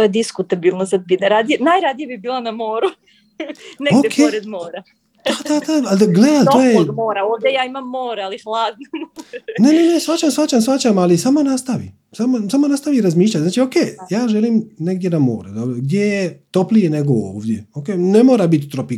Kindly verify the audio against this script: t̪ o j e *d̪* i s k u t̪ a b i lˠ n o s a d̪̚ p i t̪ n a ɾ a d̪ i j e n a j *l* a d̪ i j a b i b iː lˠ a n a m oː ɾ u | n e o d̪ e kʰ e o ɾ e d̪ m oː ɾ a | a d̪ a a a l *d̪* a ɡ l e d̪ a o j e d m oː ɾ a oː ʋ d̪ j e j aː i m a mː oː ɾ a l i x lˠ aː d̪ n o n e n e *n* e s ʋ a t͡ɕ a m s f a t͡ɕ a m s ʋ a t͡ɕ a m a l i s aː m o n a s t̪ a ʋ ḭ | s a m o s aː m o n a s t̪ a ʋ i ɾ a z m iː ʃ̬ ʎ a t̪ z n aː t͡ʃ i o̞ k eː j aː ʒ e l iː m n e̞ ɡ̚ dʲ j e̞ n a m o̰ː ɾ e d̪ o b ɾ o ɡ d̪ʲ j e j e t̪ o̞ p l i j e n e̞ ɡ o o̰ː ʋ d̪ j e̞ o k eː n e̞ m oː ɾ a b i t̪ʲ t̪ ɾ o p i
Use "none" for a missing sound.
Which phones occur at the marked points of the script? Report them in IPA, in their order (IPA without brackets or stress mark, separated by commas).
d̪, ɾ, d̪, n